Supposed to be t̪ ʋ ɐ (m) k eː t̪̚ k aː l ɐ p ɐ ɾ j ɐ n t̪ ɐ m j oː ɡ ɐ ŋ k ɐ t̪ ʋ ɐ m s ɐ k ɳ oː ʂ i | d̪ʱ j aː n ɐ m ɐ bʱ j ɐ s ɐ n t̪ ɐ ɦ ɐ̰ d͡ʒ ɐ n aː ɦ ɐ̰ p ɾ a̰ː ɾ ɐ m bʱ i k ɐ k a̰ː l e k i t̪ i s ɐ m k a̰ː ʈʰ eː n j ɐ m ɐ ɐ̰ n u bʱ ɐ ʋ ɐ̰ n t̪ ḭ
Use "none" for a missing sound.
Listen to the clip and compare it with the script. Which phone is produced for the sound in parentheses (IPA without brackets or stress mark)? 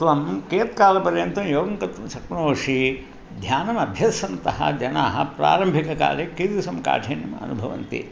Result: m